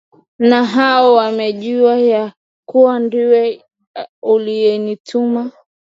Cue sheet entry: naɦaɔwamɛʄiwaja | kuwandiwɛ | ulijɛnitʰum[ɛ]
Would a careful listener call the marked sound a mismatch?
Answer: yes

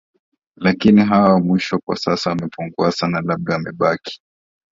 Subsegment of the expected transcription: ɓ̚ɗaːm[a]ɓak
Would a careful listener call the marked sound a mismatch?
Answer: yes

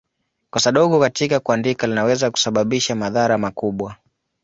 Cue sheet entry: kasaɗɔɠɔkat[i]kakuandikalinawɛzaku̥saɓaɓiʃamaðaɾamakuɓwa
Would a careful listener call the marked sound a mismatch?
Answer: no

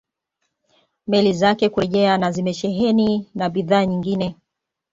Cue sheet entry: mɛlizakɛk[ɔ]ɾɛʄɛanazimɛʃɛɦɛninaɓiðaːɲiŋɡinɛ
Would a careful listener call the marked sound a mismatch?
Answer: yes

